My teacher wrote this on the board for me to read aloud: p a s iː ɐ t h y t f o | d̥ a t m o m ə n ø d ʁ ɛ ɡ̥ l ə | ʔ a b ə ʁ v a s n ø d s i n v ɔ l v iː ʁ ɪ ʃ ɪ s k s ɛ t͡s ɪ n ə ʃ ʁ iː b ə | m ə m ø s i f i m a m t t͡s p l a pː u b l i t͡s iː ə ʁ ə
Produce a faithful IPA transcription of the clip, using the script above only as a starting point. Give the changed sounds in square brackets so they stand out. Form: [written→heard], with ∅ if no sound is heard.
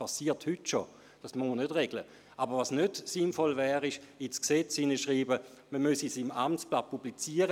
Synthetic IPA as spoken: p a s iː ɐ t h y t [f→ʃ] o | d̥ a [t→s] m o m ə n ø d ʁ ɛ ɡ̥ l ə | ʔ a b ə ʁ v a s n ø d s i n [v→f] ɔ l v [iː→ɛː] ʁ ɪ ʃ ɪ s k s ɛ t͡s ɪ n ə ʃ ʁ iː b ə | m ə m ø s i [f→s] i m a m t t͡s p l a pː u b l i t͡s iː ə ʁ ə